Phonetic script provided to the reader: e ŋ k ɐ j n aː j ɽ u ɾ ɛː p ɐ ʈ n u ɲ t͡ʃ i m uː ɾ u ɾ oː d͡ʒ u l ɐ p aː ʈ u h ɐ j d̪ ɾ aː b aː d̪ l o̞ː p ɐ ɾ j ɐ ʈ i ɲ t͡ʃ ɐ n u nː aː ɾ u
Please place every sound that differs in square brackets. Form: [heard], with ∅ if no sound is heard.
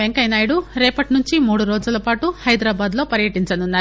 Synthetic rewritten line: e ŋ k ɐ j n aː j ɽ u ɾ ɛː p ɐ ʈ n u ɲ t͡ʃ i m uː [ɽ] u ɾ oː d͡ʒ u l ɐ p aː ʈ u h ɐ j d̪ ɾ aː b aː d̪ l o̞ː p ɐ ɾ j ɐ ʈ i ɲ t͡ʃ ɐ n u nː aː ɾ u

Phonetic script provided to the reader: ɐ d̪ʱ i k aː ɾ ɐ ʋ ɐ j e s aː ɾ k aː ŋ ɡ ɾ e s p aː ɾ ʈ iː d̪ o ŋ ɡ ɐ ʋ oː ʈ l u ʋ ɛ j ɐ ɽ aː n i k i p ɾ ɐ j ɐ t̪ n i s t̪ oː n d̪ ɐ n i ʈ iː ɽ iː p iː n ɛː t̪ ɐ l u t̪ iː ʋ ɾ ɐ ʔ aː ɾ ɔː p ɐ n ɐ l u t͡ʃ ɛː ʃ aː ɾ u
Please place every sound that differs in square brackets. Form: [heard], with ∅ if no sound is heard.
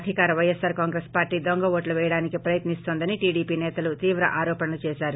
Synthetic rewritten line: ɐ d̪ʱ i k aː ɾ ɐ ʋ ɐ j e s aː ɾ k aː ŋ ɡ ɾ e s p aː ɾ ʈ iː d̪ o ŋ ɡ ɐ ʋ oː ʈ l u ʋ ɛ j ɐ ɽ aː n i k i p ɾ ɐ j ɐ t̪ n i s t̪ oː n d̪ ɐ n i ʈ iː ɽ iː p iː n ɛː t̪ ɐ l u t̪ iː ʋ ɾ ɐ ʔ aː ɾ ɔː p ɐ n ɐ l u t͡ʃ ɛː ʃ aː ɾ u

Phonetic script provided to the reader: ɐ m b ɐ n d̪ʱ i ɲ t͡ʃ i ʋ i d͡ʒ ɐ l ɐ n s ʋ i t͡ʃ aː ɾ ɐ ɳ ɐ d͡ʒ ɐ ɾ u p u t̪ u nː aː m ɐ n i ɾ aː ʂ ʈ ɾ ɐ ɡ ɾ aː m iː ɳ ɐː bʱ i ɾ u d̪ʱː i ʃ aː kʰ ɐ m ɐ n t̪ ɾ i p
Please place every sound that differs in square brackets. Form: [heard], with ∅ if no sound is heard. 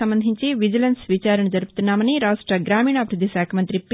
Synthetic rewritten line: ɐ m b ɐ n d̪ʱ i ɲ t͡ʃ i ʋ i d͡ʒ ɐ l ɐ n s ʋ i t͡ʃ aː ɾ ɐ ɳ ɐ d͡ʒ ɐ ɾ u p u t̪ u nː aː m ɐ n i ɾ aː ʂ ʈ ɾ ɐ ɡ ɾ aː m iː ɳ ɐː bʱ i ɾ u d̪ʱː i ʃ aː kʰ ɐ m ɐ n t̪ ɾ i p

